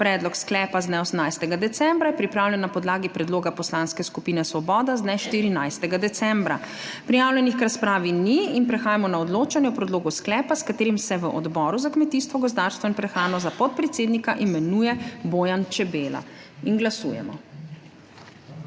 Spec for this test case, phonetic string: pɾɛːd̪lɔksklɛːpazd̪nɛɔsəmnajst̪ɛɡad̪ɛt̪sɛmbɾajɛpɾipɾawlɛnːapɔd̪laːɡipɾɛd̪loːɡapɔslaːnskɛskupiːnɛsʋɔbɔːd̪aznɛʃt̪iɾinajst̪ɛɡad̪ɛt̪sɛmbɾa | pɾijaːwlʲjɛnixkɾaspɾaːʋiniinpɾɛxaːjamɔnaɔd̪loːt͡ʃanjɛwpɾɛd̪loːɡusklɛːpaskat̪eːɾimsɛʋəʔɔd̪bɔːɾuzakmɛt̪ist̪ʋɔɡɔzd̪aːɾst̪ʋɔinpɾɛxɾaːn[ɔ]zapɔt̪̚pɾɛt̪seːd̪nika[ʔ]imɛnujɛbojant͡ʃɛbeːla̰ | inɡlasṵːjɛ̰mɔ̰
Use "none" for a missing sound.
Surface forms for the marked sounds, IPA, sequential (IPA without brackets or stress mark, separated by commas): ɔ, ʔ